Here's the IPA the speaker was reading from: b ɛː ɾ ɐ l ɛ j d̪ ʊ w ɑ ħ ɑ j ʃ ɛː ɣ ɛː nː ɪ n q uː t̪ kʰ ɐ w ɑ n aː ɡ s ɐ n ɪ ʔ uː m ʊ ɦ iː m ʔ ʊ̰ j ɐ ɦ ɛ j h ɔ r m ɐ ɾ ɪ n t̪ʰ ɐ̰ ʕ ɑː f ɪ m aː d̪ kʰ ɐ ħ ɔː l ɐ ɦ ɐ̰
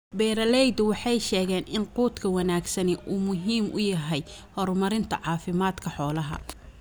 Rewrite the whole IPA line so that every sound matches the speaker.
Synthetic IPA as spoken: b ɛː ɾ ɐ l ɛ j d̪ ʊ w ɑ ħ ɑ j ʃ ɛː ɣ ɛː n ɪ n q uː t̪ kʰ ɐ w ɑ n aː ɡ s ɐ n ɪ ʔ uː m ʊ ɦ iː m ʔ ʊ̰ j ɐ ɦ ɛ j h ɔ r m ɐ ɾ ɪ n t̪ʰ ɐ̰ ʕ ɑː f ɪ m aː d̪ kʰ ɐ ħ ɔː l ɐ ɦ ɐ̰

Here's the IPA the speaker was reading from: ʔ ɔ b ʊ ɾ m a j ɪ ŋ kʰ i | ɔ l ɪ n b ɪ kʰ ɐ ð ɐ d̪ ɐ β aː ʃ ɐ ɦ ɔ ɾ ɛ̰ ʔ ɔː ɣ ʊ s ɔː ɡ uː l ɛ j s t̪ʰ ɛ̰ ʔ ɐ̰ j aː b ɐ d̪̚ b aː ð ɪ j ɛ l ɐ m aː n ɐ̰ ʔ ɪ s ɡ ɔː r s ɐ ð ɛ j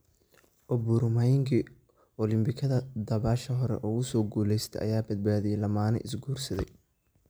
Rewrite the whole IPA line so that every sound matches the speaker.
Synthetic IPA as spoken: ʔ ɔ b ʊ ɾ m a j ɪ ŋ kʰ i | ɔ l ɪ m b ɪ kʰ ɐ ð ɐ d̪ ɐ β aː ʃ ɐ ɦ ɔ ɾ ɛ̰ ʔ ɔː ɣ ʊ s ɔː ɡ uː l ɛ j s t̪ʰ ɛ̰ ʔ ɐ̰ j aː b ɐ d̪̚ b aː ð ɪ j ɛ l ɐ m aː n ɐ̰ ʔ ɪ s ɡ uː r s ɐ ð ɛ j

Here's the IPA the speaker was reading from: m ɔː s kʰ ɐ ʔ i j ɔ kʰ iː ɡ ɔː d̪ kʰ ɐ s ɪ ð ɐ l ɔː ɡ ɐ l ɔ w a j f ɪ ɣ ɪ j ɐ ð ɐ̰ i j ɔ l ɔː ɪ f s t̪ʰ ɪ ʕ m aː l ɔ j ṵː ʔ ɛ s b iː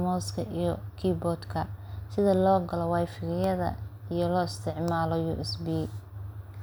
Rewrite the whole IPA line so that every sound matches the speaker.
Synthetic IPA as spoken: m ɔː s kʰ ɐ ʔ i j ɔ kʰ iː b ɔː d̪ kʰ ɐ s ɪ ð ɐ l ɔː ɡ ɐ l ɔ w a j f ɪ ɣ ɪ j ɐ ð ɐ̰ i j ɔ l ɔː ɪ s t̪ʰ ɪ ʕ m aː l ɔ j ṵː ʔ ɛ s b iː

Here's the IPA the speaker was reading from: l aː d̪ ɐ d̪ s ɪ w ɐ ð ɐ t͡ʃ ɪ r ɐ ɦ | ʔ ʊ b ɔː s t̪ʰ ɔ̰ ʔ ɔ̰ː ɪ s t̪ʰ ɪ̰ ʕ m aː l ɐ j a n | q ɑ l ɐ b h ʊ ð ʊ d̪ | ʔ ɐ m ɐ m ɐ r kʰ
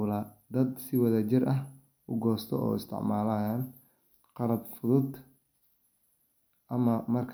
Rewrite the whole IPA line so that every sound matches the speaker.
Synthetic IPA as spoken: l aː d̪ ɐ d̪ s ɪ w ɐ ð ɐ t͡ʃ ɪ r ɐ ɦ | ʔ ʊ ɡ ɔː s t̪ʰ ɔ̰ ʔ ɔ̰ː ɪ s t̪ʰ ɪ̰ ʕ m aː l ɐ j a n | q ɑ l ɐ b f ʊ ð ʊ d̪ | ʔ ɐ m ɐ m ɐ r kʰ

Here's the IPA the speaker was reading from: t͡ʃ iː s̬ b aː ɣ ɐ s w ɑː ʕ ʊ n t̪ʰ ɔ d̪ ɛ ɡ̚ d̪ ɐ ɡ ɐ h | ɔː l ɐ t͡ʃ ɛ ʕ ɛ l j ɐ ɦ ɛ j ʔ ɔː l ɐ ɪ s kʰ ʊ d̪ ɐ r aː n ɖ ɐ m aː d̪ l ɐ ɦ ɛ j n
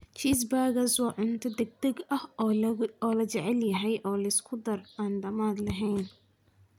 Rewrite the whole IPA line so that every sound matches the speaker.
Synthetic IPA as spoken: t͡ʃ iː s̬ b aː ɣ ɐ s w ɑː ʕ ʊ n t̪ʰ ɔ d̪ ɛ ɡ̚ d̪ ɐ ɡ ɐ h | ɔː l ɐ t͡ʃ ɛ ʕ ɛ l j ɐ ɦ ɛ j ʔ ɔː l ɐ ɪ s kʰ ʊ d̪ ɐ r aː n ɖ ɐ m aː d̪ l ɐ ɦ ɛ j n

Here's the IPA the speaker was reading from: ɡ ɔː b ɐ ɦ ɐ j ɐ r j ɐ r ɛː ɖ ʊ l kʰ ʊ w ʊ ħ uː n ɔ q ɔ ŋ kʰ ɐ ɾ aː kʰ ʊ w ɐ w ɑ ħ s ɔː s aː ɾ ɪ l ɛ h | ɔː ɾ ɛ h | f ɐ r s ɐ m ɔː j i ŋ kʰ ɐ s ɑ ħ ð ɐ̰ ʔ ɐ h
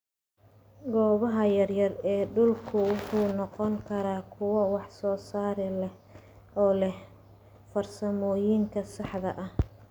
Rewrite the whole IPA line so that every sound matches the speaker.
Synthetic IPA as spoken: ɡ ɔː β ɐ ɦ ɐ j ɐ r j ɐ r ɛː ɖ ʊ l kʰ ʊ w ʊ ħ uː n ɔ q ɔ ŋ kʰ ɐ ɾ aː kʰ ʊ w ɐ w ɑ ħ s ɔː s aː ɾ ɪ l ɛ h | ɔː l ɛ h | f ɐ r s ɐ m ɔː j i ŋ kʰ ɐ s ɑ ħ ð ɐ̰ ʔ ɐ h

